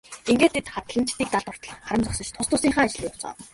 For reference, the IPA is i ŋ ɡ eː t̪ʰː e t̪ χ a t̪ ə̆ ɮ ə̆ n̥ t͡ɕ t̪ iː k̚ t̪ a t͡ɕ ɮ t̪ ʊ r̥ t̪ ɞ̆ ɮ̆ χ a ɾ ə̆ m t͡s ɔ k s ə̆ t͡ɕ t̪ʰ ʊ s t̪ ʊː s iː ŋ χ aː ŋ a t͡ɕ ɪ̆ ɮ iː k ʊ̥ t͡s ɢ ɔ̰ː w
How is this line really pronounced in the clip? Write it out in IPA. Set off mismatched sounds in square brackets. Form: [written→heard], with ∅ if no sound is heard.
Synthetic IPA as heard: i ŋ ɡ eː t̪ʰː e t̪ χ a t̪ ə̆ ɮ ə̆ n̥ t͡ɕ t̪ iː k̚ t̪ a [t͡ɕ→∅] ɮ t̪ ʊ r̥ t̪ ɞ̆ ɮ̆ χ a ɾ ə̆ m t͡s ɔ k s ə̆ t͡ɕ t̪ʰ ʊ s t̪ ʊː s iː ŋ χ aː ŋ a t͡ɕ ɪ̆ ɮ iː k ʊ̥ t͡s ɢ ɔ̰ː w